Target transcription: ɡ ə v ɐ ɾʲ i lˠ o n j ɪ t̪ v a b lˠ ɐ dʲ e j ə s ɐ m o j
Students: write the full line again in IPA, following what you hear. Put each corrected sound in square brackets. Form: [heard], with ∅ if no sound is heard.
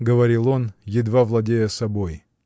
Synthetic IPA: ɡ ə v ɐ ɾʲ i lˠ o n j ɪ [d̪] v a [v] lˠ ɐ dʲ e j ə s ɐ [b] o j